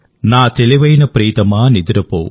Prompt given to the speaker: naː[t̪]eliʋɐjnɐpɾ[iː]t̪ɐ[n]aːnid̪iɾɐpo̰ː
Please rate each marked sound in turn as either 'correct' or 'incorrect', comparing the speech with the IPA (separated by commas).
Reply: correct, correct, incorrect